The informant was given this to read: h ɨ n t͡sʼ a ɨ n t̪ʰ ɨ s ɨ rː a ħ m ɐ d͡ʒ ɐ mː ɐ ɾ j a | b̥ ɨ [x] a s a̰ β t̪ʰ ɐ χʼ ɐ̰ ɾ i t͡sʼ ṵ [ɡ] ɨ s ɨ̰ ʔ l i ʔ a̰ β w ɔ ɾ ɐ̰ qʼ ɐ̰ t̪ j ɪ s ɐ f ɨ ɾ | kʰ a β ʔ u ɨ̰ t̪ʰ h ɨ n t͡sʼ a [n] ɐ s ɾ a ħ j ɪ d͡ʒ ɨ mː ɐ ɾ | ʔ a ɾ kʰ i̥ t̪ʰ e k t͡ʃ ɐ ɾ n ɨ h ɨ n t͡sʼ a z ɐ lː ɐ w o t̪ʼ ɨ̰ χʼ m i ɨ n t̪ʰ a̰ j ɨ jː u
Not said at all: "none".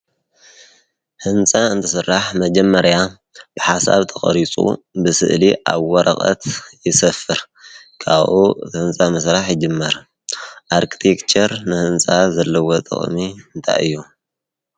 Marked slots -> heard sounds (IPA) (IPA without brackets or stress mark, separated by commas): ħ, b, m